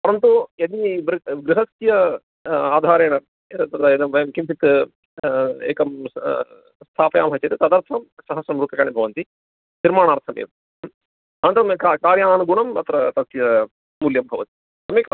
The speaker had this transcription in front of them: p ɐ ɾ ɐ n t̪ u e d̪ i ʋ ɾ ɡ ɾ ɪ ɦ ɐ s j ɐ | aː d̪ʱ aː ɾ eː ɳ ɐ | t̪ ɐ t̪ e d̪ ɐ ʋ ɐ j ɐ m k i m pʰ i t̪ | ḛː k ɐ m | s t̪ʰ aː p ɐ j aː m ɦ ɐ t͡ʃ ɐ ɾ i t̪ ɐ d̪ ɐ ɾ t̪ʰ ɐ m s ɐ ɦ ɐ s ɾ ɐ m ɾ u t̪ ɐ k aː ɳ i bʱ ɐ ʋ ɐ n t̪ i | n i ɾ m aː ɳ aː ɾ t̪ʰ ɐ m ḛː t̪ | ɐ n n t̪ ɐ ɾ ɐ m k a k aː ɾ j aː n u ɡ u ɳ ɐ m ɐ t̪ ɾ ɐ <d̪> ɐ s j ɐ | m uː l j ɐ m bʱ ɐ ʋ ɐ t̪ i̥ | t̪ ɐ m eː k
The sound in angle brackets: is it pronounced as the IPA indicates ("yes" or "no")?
no